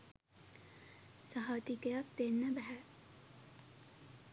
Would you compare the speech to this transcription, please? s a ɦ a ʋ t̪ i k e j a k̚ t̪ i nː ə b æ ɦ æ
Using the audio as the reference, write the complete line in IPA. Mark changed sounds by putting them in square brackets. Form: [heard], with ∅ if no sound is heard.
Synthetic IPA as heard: s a ɦ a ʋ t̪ i k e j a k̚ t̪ [e] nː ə b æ ɦ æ